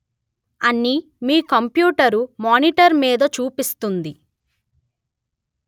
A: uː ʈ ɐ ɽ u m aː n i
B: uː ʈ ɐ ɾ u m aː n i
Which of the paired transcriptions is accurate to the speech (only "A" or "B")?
B